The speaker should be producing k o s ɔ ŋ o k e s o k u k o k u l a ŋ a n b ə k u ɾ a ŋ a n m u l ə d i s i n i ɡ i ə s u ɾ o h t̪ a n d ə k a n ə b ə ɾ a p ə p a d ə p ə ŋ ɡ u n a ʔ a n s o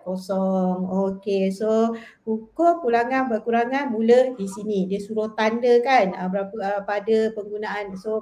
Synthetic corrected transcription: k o s ɔ ŋ o k e s o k u k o k u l a ŋ a n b ə k u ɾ a ŋ a n m u l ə d i s i n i d i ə s u ɾ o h t̪ a n d ə k a n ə b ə ɾ a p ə p a d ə p ə ŋ ɡ u n a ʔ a n s o